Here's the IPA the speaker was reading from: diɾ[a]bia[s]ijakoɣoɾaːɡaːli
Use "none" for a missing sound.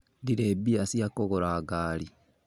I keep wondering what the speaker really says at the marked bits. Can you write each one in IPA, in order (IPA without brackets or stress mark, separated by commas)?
e, s